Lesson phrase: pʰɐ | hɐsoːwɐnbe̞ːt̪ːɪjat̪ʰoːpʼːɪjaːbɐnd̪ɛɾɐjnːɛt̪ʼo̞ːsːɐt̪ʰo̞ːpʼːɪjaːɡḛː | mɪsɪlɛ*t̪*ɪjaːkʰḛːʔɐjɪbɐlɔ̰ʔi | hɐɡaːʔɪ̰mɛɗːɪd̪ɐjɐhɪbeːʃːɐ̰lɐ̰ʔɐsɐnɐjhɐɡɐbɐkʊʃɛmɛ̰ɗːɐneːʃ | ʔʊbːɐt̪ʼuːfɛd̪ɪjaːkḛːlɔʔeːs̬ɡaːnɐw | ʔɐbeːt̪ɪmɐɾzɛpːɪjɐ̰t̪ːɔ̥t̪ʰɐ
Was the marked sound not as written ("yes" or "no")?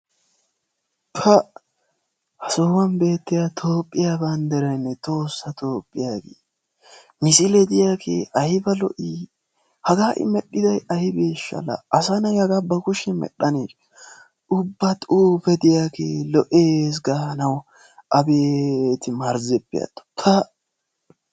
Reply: yes